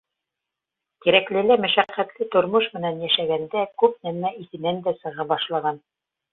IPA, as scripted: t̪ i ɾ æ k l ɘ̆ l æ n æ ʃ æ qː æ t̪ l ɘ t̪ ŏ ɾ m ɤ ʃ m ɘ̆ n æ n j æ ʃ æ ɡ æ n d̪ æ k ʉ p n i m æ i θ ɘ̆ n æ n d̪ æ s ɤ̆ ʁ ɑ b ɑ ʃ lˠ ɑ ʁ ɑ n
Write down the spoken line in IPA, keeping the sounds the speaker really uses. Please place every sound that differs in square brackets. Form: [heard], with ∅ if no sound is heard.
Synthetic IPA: t̪ i ɾ æ k l ɘ̆ l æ [m] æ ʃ æ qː æ t̪ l ɘ t̪ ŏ ɾ m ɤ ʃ m ɘ̆ n æ n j æ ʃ æ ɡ æ n d̪ æ k ʉ p n [æ] m æ i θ ɘ̆ n æ n d̪ æ s ɤ̆ ʁ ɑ b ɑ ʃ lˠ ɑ ʁ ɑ n